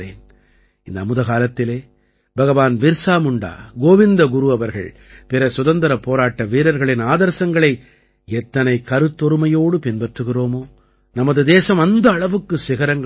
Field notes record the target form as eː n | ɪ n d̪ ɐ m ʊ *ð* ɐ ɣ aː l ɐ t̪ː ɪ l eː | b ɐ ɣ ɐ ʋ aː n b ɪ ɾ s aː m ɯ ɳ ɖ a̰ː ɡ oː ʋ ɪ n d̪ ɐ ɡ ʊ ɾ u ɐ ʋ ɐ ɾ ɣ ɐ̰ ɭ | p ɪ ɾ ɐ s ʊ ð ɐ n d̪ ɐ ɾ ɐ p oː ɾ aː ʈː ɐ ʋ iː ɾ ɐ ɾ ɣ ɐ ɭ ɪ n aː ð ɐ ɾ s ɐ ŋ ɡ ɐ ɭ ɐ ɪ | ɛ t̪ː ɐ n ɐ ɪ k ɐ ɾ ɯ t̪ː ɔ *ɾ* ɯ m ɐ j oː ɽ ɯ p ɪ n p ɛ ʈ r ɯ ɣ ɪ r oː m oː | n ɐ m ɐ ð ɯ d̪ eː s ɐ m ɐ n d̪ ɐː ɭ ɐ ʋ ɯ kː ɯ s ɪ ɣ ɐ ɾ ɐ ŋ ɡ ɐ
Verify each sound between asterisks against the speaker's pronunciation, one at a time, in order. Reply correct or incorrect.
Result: correct, correct

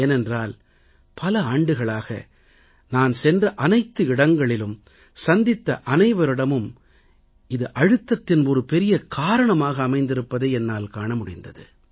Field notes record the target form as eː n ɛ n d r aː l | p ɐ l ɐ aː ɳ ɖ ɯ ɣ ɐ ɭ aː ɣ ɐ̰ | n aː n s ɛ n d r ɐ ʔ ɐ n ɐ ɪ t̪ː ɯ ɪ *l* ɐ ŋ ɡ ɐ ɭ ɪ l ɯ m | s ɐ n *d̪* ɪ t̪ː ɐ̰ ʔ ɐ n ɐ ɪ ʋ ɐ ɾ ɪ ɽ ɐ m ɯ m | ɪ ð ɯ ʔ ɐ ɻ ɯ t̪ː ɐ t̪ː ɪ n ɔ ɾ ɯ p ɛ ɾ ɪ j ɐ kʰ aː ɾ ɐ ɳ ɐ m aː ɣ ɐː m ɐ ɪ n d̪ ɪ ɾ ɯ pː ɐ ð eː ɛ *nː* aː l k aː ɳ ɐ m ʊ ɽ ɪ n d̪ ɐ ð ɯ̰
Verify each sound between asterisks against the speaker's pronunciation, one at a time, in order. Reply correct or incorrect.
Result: incorrect, correct, correct

